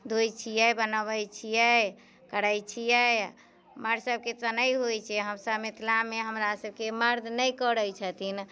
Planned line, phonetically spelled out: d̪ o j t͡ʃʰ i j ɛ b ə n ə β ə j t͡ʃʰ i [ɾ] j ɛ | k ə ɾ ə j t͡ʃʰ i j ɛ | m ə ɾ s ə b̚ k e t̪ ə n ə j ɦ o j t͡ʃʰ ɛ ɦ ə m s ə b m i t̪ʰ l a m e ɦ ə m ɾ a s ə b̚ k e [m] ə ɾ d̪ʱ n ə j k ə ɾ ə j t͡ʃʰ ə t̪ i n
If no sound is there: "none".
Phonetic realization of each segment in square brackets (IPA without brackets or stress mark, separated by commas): none, m